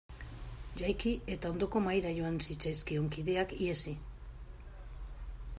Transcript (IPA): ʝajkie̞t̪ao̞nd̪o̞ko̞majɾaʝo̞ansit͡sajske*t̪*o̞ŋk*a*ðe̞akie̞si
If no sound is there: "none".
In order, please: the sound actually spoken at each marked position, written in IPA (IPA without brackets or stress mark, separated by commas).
none, i